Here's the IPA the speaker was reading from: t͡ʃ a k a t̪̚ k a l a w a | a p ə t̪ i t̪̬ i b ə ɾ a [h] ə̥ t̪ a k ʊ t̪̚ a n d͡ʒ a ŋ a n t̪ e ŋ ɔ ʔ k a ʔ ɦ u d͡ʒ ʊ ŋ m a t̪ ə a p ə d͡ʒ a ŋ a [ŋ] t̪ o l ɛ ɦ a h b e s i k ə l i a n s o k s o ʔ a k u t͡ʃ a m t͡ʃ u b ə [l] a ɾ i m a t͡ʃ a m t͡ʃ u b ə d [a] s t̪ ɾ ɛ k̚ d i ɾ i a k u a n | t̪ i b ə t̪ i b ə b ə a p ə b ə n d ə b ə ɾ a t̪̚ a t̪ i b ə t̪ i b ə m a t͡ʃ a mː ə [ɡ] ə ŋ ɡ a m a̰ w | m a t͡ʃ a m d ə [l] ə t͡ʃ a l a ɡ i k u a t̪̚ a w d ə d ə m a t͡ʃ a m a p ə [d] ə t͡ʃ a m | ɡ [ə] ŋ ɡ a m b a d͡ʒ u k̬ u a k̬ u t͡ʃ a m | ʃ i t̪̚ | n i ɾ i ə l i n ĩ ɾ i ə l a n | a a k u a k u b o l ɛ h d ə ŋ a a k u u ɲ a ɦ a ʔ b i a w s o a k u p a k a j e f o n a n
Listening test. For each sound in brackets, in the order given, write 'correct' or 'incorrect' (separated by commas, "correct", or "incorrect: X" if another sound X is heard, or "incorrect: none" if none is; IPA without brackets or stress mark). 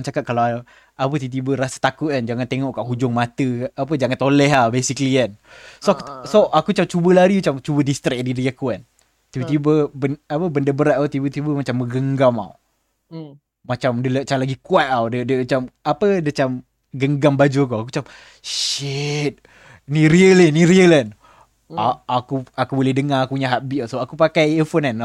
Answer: incorrect: s, incorrect: n, correct, incorrect: i, correct, correct, correct, correct